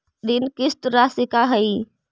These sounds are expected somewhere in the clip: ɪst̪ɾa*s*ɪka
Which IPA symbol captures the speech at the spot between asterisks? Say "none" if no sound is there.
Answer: s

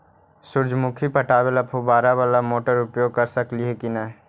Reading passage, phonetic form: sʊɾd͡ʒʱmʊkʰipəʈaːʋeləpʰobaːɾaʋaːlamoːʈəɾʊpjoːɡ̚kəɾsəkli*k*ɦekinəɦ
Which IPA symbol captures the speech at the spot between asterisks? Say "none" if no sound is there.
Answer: none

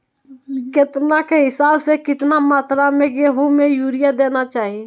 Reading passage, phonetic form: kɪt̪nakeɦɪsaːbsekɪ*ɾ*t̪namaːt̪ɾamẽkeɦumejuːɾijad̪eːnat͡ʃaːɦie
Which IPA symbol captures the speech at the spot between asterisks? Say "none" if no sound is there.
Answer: none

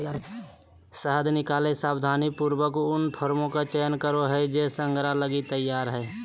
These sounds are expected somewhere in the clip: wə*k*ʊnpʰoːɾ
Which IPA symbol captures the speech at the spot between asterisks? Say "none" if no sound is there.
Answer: k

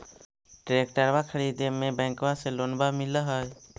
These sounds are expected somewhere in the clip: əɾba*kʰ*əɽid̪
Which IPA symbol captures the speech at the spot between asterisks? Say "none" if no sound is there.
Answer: kʰ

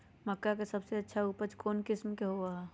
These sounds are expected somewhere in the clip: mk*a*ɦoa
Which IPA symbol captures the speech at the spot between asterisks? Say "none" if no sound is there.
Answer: e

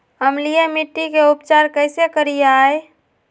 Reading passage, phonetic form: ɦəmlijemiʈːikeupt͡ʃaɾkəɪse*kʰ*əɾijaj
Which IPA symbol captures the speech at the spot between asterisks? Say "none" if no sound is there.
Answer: k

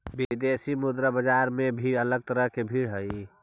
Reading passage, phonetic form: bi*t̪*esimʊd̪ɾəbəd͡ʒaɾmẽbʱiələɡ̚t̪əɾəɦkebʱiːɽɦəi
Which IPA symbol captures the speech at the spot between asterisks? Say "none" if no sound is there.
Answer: d̪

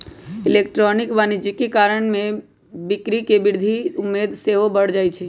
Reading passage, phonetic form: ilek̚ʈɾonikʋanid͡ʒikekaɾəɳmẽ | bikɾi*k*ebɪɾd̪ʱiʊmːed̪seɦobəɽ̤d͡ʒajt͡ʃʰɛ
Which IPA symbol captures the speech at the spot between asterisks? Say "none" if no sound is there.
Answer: k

